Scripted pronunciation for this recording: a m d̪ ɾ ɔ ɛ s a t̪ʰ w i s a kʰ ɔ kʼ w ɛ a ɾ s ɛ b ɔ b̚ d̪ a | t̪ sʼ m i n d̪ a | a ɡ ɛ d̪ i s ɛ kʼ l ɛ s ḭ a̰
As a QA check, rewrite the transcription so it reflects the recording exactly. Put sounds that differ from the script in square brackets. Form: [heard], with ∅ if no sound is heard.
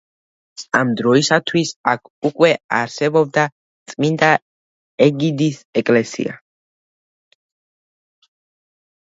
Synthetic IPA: a m d̪ ɾ ɔ [i] s a t̪ʰ w i s a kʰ [u] kʼ w ɛ a ɾ s ɛ b ɔ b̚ d̪ a | t̪ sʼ m i n d̪ a | [ɛ] ɡ [i] d̪ i s ɛ kʼ l ɛ s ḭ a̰